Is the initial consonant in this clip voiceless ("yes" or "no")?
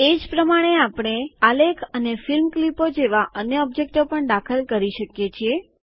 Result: no